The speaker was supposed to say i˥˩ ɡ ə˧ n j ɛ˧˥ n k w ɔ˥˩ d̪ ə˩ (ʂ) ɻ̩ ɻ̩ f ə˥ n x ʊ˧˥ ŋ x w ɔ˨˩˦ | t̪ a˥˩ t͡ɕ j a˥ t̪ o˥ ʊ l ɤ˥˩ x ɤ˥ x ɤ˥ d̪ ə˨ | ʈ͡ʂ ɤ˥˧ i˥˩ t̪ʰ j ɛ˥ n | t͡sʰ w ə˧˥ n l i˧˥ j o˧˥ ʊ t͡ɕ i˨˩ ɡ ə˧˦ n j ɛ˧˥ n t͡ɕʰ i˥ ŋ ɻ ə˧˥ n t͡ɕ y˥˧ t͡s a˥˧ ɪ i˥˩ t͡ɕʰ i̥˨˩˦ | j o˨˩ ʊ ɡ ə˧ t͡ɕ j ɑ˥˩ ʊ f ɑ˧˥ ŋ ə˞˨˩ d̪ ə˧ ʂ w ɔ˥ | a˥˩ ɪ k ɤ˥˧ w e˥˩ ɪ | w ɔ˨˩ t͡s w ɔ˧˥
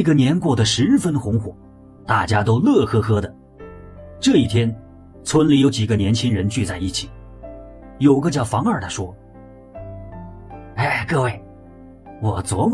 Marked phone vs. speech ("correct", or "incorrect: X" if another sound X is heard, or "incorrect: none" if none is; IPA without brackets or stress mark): correct